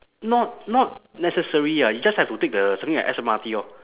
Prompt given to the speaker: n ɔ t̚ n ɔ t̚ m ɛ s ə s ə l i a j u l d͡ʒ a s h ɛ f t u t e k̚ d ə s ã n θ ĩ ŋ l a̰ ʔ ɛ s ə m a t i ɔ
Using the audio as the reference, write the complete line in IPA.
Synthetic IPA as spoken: n ɔ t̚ n ɔ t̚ n ɛ s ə s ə ɹ i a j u d͡ʒ a s h ɛ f t u t e k̚ d ə s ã m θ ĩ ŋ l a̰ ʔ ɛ s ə m a t i ɔ